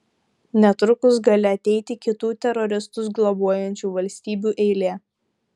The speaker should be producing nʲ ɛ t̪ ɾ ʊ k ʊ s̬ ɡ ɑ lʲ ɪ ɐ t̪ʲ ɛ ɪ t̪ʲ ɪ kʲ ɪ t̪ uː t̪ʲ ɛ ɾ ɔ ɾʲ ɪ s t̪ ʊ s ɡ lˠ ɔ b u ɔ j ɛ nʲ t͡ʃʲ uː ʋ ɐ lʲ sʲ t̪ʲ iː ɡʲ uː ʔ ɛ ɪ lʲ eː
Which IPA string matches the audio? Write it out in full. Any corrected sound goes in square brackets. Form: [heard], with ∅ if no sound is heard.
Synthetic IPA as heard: nʲ ɛ t̪ ɾ ʊ k ʊ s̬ ɡ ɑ lʲ ɪ ɐ t̪ʲ ɛ ɪ t̪ʲ ɪ kʲ ɪ t̪ uː t̪ʲ ɛ ɾ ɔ ɾʲ ɪ s t̪ ʊ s ɡ lˠ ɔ b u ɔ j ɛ nʲ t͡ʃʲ uː ʋ ɐ lʲ sʲ t̪ʲ iː [bʲ] uː ʔ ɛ ɪ lʲ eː